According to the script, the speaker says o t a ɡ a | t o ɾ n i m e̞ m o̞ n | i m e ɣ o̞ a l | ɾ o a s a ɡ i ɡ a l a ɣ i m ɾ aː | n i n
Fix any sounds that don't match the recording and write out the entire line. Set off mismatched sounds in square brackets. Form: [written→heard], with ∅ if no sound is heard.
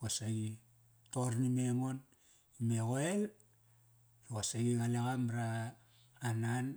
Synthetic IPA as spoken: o [t→s] a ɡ [a→i] | t o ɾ n i m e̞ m o̞ n | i m e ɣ o̞ [a→e] l | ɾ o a s a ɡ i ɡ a l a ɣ [i→a] m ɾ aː | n [i→a] n